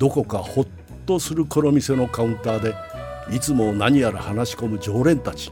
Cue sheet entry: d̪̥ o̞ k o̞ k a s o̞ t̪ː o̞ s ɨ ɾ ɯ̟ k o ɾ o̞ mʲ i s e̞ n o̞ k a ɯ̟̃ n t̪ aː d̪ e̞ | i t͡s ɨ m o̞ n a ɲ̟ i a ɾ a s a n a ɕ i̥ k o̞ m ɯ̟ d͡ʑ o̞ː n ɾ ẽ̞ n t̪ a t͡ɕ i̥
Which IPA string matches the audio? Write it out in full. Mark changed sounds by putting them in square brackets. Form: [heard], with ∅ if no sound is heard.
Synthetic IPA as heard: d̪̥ o̞ k o̞ k a [h] o̞ t̪ː o̞ s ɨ ɾ ɯ̟ k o ɾ o̞ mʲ i s e̞ n o̞ k a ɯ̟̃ n t̪ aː d̪ e̞ | i t͡s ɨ m o̞ n a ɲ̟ i a ɾ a [h] a n a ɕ i̥ k o̞ m ɯ̟ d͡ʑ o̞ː [∅] ɾ ẽ̞ n t̪ a t͡ɕ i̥